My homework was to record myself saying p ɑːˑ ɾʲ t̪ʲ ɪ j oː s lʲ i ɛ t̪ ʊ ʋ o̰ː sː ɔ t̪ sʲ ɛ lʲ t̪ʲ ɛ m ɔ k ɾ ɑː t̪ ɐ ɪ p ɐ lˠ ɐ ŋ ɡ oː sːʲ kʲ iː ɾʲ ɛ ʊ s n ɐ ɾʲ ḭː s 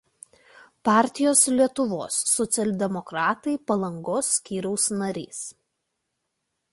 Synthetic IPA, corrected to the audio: p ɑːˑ ɾʲ t̪ʲ ɪ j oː s lʲ i ɛ t̪ ʊ ʋ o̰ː sː ɔ t̪ sʲ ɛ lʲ d̪ʲ ɛ m ɔ k ɾ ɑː t̪ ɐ ɪ p ɐ lˠ ɐ ŋ ɡ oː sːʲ kʲ iː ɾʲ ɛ ʊ s n ɐ ɾʲ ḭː s